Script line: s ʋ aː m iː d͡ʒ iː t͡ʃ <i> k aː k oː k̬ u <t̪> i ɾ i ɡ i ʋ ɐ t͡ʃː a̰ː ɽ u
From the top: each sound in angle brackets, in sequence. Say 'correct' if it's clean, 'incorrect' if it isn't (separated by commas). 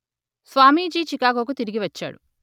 correct, correct